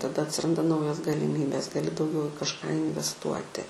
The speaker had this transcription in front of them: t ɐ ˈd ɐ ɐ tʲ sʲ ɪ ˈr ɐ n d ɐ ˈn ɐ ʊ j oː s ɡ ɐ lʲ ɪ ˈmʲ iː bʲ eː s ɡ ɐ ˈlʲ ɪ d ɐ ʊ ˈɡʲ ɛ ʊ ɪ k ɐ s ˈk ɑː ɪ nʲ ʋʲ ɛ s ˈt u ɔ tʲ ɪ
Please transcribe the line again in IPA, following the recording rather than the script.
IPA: t ɐ ˈd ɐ ɐ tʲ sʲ ɪ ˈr ɐ n d ɐ ˈn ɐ ʊ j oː s ɡ ɐ lʲ ɪ ˈmʲ iː bʲ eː s ɡ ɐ ˈlʲ ɪ d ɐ ʊ ˈɡʲ ɛ ʊ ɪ k ɐ ʃ ˈk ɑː ɪ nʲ ʋʲ ɛ s ˈt u ɔ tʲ ɪ